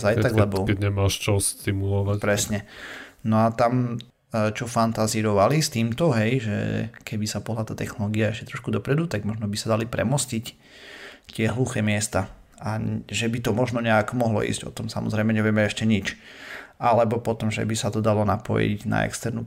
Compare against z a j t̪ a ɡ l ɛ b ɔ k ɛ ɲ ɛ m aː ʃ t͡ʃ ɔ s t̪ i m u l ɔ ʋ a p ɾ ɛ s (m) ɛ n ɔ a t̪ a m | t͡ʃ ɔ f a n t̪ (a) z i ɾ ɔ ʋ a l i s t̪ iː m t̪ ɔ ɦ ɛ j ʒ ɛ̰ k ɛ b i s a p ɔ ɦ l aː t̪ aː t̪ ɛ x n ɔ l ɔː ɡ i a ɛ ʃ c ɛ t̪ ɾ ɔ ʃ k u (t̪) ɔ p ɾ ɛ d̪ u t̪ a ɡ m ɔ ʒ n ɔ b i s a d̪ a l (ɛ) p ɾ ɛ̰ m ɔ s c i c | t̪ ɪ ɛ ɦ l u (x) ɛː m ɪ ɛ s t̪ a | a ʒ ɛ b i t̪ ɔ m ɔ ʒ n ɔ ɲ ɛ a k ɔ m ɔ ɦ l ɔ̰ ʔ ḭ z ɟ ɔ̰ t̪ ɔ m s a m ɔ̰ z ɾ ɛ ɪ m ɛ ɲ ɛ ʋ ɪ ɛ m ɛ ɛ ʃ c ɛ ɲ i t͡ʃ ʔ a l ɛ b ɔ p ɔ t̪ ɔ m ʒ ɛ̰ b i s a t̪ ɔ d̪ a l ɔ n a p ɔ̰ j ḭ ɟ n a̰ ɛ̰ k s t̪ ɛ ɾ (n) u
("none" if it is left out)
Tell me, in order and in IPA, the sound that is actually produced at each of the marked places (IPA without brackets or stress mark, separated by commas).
ɲ, a, d̪, i, x, n